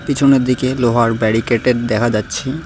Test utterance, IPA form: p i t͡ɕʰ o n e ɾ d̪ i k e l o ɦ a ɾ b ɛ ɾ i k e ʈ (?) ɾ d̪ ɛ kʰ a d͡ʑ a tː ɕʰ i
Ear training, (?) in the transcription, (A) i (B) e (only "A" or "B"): B